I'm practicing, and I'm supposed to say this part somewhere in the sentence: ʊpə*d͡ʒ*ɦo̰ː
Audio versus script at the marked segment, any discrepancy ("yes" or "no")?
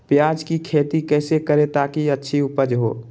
no